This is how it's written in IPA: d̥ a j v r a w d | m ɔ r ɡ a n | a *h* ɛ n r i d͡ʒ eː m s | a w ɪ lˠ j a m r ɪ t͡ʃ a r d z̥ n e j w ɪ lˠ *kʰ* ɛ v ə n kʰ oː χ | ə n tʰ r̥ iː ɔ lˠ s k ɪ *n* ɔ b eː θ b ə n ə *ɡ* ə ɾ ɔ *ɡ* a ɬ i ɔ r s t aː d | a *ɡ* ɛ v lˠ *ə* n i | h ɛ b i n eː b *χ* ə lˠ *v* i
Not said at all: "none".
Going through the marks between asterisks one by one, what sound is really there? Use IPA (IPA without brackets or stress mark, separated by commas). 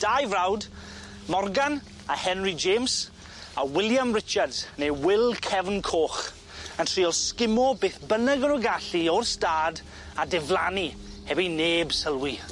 h, kʰ, m, ɡ, ɡ, d, a, s, w